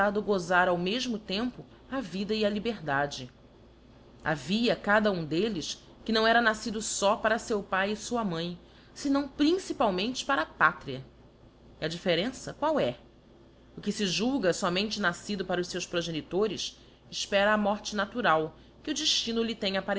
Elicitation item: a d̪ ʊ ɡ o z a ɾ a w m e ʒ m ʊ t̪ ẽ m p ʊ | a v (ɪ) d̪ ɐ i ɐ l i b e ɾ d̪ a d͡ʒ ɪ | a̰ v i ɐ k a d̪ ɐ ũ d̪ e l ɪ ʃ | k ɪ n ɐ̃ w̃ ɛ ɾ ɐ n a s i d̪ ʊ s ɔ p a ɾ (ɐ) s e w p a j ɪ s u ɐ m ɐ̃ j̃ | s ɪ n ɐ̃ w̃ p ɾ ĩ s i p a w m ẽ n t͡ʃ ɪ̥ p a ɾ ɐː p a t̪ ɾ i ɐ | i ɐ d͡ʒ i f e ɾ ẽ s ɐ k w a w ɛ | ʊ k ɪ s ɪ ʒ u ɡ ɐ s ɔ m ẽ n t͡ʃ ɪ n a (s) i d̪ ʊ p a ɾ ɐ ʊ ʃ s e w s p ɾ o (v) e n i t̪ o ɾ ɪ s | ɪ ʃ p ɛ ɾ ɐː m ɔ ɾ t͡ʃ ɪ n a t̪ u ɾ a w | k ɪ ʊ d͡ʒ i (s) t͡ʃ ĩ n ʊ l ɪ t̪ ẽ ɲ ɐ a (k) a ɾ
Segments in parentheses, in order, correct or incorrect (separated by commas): incorrect, correct, correct, incorrect, incorrect, incorrect